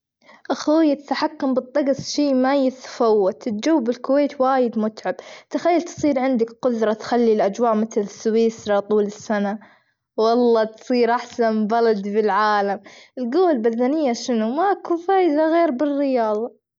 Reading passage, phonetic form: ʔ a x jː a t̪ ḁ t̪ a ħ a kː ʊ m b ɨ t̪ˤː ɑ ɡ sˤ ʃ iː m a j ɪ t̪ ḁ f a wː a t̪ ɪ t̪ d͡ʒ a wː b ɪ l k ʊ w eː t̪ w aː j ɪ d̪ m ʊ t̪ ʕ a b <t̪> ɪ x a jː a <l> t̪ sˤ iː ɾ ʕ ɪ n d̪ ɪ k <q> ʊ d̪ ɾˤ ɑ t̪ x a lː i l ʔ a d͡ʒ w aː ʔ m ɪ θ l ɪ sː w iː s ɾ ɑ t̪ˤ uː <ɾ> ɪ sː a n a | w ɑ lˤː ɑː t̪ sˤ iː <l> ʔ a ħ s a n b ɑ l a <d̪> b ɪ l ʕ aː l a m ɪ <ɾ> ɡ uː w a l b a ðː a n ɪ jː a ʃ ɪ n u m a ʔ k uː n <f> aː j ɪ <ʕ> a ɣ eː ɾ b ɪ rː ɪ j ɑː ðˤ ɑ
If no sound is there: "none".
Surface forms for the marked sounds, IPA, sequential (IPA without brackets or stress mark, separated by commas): t̪, l, q, l, ɾ, d̪, l, f, z